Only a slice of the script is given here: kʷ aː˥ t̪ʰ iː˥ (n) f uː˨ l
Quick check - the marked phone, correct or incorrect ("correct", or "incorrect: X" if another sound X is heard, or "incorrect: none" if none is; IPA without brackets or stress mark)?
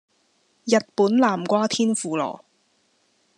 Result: correct